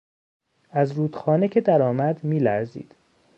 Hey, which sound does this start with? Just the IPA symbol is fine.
æ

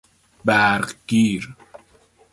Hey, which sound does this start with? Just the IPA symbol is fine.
b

